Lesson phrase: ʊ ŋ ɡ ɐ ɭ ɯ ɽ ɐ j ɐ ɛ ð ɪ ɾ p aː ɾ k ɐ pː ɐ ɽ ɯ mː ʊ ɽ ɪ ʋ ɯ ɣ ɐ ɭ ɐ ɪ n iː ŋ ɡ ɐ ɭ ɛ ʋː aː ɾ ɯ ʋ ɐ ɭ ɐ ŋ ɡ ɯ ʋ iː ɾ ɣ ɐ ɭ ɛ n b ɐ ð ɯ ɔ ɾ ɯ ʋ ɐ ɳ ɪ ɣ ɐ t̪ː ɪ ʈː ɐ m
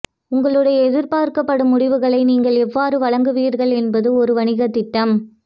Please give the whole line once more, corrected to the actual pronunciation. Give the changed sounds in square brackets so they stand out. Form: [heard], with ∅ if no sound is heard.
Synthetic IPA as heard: ʊ ŋ ɡ ɐ ɭ ɯ ɽ ɐ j ɐ ɛ ð ɪ ɾ p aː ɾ k ɐ pː ɐ ɽ ɯ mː ʊ ɽ ɪ ʋ ɯ ɣ ɐ ɭ ɐ ɪ n iː ŋ ɡ ɐ ɭ ɛ ʋː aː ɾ ɯ ʋ ɐ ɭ ɐ ŋ ɡ ɯ ʋ iː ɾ ɣ ɐ ɭ ɛ n b ɐ ð ɯ ɔ ɾ ɯ ʋ ɐ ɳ ɪ ɣ ɐ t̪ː ɪ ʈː ɐ m